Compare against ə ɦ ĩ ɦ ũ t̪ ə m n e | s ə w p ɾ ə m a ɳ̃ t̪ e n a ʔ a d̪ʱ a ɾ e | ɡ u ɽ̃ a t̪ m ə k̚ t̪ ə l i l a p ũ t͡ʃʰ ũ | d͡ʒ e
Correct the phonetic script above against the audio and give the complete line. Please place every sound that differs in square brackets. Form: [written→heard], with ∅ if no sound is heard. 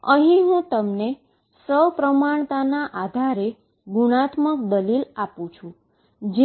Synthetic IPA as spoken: ə ɦ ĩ ɦ ũ t̪ ə m n e | s ə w p ɾ ə m a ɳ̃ t̪ [e→a] n a ʔ a d̪ʱ a ɾ e | ɡ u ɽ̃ a t̪ m ə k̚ [t̪→d̪] ə l i l a p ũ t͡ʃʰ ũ | d͡ʒ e